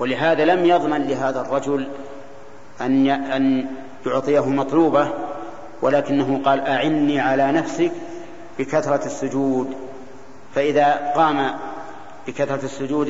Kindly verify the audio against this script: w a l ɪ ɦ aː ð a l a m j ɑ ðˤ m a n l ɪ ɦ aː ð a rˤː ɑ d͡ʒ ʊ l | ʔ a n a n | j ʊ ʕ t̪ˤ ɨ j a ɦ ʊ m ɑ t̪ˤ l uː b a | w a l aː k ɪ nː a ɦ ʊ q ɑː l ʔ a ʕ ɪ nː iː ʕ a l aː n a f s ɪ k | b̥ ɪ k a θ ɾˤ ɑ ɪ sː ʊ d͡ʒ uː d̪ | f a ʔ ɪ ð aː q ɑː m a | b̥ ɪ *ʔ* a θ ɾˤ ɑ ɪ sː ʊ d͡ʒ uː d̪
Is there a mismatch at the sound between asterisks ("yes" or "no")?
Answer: yes